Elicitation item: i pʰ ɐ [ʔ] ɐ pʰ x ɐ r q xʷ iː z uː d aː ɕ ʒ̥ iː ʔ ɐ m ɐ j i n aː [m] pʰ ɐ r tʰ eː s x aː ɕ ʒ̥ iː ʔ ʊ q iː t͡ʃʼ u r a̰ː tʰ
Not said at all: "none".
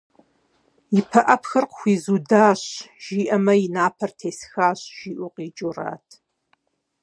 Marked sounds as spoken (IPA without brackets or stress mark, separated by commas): ʔ, none